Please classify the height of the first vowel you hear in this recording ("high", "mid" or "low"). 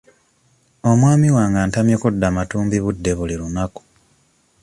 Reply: mid